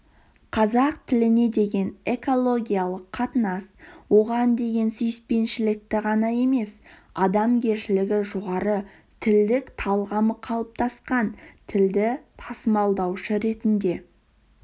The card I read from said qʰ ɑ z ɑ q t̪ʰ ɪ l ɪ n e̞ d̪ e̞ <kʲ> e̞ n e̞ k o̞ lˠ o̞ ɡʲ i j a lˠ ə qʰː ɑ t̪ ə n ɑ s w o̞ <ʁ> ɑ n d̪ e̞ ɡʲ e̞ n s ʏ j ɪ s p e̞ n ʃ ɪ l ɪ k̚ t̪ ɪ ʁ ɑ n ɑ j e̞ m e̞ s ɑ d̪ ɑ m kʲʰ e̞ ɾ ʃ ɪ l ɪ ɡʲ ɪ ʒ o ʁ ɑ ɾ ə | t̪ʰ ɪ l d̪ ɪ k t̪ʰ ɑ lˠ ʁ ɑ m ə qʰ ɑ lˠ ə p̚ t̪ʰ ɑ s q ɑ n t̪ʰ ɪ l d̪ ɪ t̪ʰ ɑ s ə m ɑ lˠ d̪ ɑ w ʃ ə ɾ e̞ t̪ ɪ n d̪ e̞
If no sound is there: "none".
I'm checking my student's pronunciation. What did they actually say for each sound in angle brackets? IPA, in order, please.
ɡʲ, ʁ

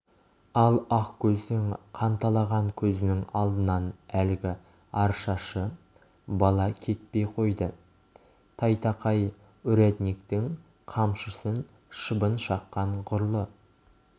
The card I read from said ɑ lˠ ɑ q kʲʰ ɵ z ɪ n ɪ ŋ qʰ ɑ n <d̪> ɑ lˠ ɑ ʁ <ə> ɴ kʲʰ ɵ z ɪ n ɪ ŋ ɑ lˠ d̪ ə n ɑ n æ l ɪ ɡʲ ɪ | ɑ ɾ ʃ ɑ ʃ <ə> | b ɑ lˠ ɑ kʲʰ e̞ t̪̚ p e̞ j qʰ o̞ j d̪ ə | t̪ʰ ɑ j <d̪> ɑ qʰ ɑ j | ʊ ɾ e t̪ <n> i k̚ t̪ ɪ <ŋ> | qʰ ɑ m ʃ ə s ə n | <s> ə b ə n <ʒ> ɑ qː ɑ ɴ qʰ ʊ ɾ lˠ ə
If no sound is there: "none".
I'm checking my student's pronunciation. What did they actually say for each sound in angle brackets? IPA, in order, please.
t̪, ɑ, ə, t̪, n, ŋ, ʃ, ʃ

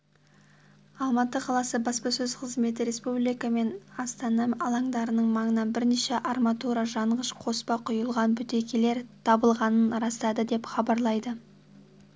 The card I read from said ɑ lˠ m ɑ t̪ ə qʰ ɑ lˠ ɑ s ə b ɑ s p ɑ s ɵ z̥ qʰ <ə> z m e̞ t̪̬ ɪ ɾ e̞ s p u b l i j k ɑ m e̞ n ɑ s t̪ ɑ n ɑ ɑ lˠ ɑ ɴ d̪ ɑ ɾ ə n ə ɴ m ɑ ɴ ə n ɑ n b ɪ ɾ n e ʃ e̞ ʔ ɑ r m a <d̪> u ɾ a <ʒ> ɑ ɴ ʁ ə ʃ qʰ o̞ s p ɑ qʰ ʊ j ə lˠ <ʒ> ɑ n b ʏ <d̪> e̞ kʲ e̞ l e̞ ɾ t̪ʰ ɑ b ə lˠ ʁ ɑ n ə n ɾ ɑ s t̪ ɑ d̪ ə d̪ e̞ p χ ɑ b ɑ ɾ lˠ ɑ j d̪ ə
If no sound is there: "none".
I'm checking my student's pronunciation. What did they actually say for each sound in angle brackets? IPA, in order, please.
ə, t̪, ʒ, ʁ, t̪

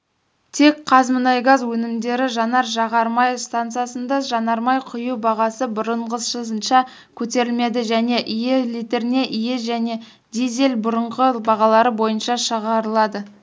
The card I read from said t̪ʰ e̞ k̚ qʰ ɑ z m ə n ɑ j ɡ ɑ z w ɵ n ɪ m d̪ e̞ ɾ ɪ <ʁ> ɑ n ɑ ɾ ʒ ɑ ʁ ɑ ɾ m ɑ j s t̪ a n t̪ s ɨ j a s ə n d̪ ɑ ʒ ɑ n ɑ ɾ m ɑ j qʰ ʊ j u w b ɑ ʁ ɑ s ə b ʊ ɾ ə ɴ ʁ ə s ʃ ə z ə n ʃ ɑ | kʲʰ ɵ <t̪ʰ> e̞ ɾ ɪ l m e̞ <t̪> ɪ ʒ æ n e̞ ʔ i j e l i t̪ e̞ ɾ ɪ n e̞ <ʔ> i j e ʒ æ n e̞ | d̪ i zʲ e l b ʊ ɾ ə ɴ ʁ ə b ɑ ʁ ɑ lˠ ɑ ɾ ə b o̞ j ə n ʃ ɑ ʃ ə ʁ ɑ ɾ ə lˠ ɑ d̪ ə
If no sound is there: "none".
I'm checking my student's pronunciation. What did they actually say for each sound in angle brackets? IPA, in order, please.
ʒ, t̪, d̪, ʔ

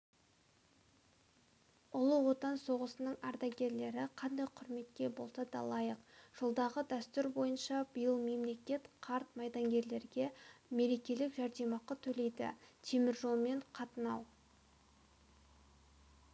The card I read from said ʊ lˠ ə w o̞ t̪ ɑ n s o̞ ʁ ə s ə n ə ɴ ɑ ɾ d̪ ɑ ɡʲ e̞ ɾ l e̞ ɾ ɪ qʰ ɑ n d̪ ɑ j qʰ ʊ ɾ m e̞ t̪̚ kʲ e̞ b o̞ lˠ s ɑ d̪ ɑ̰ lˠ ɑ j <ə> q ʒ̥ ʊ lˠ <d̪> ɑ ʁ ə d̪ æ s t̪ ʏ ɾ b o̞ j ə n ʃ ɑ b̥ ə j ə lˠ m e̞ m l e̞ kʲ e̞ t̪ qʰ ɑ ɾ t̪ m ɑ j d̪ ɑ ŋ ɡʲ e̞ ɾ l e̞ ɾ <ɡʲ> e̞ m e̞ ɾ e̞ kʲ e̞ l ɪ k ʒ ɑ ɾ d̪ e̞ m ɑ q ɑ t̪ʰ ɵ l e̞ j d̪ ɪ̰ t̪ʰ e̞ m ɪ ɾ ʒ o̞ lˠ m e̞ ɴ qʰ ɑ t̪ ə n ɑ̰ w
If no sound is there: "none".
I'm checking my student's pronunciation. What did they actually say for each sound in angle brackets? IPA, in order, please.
ə, d̪, ɡʲ

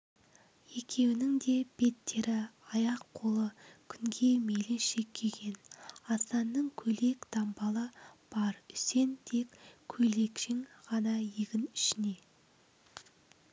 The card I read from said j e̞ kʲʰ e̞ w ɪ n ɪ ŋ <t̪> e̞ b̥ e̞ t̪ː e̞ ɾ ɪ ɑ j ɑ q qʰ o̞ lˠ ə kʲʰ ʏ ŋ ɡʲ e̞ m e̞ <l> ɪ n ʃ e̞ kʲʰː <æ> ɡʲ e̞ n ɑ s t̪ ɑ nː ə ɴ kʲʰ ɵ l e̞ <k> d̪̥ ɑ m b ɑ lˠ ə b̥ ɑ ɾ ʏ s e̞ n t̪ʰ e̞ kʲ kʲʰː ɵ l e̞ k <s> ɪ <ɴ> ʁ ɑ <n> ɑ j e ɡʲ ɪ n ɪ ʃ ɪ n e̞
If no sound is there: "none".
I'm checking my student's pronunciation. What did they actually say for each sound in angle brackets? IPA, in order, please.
d̪, l, e, k, ʃ, ŋ, n

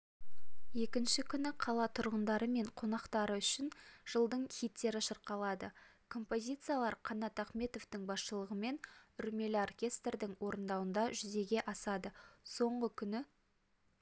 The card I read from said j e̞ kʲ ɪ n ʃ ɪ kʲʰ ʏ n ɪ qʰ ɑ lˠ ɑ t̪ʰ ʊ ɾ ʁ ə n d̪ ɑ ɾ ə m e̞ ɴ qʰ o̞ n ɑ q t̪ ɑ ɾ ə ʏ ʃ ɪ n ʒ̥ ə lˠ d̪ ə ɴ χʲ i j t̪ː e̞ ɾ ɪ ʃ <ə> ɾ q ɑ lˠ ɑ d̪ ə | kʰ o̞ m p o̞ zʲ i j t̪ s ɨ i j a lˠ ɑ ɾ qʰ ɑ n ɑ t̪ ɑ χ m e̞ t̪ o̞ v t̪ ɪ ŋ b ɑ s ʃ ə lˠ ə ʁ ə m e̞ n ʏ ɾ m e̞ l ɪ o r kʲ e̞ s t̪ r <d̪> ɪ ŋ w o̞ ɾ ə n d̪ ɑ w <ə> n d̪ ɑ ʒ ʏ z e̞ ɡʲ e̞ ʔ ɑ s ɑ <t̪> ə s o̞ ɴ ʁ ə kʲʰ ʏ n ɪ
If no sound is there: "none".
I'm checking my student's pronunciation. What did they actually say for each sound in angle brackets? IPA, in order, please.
ə, d̪, ə, d̪

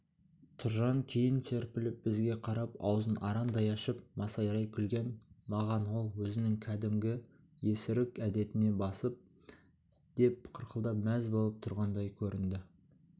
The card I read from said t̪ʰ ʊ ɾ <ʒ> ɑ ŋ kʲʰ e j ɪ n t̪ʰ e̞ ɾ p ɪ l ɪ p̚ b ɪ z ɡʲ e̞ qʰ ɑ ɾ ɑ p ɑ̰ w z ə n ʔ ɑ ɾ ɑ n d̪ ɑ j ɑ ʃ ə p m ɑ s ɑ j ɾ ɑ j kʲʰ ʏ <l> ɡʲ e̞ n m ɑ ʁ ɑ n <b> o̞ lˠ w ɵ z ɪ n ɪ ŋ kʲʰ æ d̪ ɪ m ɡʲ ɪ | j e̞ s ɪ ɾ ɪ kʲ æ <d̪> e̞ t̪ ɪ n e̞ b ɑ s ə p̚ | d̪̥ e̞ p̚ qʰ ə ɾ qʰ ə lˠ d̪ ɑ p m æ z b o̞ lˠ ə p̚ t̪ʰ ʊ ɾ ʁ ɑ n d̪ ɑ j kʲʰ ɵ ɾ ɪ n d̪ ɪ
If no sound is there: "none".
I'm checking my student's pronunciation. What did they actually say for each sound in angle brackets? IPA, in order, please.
ʒ, l, w, d̪

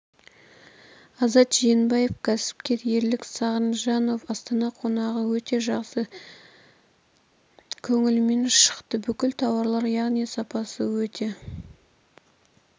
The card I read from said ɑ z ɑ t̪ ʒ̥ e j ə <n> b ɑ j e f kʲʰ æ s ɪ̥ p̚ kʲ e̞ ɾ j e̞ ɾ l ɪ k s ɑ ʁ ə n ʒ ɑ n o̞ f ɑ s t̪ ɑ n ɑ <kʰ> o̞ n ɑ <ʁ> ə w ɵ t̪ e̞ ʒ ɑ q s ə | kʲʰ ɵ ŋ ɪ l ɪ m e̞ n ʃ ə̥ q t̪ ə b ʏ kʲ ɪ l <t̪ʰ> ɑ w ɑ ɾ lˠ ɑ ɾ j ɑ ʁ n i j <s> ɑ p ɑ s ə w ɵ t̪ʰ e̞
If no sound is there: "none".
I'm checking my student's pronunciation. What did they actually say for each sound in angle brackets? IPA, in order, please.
n, qʰ, ʁ, t̪ʰ, s

